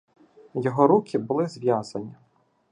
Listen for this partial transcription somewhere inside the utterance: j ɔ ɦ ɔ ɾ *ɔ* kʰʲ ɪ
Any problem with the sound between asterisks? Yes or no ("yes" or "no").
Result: yes